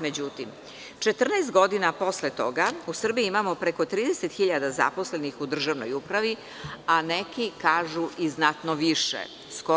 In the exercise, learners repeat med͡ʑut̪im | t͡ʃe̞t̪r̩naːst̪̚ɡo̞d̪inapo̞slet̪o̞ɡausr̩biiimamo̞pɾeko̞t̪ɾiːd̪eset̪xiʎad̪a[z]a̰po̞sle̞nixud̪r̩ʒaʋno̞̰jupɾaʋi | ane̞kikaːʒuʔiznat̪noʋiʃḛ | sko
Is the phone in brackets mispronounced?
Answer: no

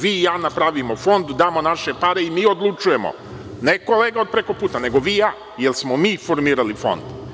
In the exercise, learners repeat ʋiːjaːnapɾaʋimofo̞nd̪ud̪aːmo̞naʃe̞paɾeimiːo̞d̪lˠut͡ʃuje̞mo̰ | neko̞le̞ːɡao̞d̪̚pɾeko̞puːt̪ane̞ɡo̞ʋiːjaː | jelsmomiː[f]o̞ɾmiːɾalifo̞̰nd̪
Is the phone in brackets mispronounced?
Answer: no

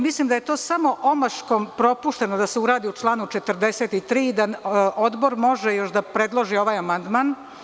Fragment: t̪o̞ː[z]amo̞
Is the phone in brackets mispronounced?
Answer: yes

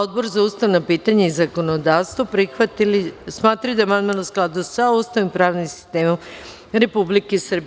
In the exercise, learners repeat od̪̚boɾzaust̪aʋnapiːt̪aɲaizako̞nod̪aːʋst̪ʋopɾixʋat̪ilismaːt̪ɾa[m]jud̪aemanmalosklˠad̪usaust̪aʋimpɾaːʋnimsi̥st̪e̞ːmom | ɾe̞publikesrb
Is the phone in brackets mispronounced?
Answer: yes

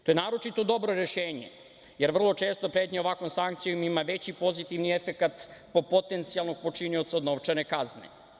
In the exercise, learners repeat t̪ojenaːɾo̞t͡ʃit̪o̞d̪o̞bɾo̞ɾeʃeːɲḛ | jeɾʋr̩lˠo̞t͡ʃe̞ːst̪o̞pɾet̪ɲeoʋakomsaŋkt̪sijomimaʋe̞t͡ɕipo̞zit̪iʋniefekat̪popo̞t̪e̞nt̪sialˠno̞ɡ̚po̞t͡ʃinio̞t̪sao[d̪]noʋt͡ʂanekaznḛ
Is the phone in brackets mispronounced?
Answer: no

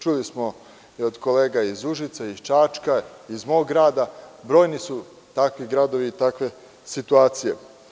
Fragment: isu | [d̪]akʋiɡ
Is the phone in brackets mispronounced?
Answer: yes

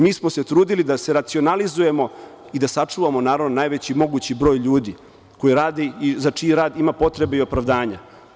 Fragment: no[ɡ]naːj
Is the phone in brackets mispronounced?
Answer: yes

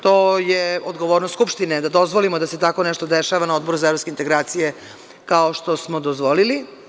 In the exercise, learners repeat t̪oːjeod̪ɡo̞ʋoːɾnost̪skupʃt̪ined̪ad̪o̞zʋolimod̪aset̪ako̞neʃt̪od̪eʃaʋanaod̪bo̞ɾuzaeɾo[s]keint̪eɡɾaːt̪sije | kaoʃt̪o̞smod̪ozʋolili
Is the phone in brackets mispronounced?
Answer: no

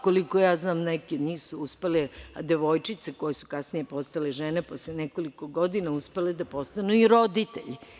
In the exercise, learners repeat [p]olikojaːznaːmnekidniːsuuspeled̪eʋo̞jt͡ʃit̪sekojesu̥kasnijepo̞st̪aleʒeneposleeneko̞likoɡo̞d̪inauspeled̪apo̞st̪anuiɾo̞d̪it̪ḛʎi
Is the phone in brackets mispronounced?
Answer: yes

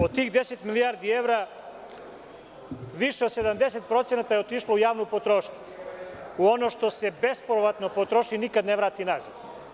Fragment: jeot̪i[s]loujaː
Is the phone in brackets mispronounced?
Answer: yes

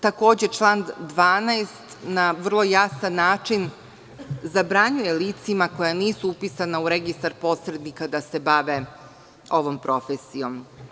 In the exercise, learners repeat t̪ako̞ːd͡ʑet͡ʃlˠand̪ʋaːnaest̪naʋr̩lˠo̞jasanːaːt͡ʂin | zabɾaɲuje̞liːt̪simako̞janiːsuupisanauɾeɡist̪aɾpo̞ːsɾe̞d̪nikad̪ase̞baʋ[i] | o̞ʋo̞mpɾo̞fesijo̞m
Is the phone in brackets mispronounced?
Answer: yes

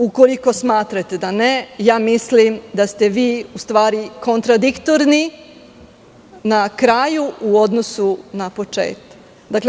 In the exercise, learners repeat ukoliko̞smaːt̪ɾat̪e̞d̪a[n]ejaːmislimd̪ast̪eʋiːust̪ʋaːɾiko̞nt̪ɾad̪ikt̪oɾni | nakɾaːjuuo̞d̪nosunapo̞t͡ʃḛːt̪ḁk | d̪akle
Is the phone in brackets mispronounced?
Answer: no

